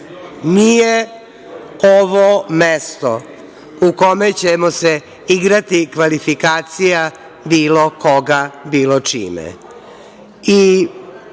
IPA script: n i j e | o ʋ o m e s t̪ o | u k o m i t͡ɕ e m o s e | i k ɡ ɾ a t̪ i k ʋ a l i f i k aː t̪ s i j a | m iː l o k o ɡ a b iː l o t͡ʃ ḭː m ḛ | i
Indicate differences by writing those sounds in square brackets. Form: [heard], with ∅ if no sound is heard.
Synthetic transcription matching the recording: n i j e | o ʋ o m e s t̪ o | u k o m [e] t͡ɕ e m o s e | i [∅] ɡ ɾ a t̪ i k ʋ a l i f i k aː t̪ s i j a | [b] iː l o k o ɡ a b iː l o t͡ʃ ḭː m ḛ | i